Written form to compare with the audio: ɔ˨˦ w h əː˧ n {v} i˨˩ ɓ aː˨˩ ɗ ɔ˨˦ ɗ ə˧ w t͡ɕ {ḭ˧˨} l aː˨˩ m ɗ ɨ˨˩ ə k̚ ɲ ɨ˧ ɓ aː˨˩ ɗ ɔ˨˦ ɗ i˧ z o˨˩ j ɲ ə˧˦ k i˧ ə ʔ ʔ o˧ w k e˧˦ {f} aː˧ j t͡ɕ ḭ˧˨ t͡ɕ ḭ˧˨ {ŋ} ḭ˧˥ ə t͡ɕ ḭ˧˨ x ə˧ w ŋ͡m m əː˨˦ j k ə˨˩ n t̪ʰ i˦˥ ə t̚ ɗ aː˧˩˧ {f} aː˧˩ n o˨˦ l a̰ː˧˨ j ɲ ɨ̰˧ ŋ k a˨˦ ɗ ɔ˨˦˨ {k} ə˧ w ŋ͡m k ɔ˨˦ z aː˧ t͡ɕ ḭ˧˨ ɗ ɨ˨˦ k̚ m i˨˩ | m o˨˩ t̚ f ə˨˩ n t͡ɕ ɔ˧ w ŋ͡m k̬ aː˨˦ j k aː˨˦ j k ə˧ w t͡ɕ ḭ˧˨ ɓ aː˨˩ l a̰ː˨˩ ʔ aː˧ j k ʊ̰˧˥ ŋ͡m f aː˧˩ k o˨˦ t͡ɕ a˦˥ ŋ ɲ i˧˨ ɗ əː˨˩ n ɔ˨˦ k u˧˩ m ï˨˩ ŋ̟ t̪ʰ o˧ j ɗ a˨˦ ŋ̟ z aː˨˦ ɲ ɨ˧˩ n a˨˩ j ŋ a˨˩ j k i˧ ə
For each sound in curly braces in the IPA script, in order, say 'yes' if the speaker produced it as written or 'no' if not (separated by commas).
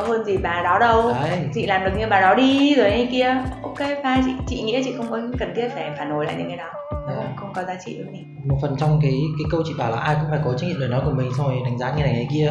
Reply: no, yes, yes, yes, yes, no